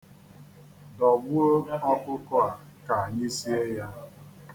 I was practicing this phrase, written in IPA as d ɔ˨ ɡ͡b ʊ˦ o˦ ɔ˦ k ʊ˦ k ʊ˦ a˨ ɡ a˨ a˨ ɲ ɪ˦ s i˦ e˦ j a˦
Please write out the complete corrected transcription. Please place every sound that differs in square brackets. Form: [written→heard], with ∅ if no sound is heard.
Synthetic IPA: d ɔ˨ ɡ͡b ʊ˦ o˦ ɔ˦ k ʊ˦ k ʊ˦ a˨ [ɡ→k] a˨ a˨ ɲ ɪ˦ s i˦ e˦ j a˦